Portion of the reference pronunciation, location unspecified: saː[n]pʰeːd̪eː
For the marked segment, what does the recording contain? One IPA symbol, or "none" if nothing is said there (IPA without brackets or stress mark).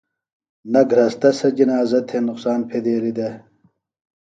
n